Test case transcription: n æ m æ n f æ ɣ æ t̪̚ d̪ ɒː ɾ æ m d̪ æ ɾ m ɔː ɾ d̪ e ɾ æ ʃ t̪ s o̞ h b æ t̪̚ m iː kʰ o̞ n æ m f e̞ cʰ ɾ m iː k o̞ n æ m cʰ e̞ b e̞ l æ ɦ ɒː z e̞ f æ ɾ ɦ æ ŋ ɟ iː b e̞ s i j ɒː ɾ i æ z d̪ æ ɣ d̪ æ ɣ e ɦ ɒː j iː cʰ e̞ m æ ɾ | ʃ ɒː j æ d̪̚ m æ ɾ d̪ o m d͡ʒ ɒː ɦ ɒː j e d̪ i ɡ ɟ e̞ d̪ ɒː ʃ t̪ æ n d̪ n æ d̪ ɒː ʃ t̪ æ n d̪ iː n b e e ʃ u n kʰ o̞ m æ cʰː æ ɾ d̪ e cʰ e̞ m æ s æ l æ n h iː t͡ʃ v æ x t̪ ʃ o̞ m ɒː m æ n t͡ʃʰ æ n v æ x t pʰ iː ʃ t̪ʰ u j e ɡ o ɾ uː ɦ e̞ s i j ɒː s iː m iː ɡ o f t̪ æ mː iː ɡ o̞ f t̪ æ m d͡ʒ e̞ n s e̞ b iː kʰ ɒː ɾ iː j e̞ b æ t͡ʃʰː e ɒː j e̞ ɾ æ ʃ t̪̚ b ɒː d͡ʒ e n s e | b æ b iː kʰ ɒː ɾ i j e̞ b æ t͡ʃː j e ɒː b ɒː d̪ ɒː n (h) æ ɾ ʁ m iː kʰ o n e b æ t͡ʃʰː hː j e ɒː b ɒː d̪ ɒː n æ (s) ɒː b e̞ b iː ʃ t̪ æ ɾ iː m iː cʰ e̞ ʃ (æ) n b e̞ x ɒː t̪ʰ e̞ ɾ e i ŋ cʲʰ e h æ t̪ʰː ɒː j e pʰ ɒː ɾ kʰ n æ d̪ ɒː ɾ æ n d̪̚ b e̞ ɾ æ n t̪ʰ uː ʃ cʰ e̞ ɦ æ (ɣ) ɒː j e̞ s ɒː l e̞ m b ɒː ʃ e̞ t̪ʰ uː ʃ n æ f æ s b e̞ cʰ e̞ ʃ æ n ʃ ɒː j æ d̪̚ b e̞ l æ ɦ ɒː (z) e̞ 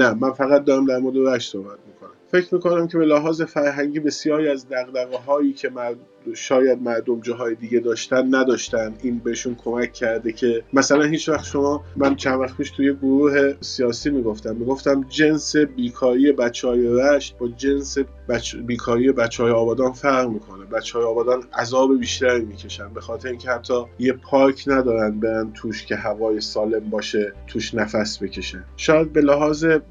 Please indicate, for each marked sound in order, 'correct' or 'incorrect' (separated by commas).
incorrect, incorrect, correct, incorrect, correct